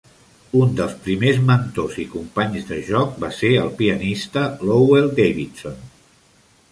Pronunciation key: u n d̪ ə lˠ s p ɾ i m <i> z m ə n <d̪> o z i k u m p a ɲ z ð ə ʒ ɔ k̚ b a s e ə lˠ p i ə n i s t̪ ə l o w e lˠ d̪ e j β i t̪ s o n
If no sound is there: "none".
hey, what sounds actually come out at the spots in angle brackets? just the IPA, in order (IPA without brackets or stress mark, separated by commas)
e, t̪